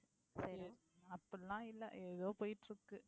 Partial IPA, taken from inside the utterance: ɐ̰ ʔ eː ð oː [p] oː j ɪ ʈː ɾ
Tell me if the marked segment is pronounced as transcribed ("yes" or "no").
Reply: yes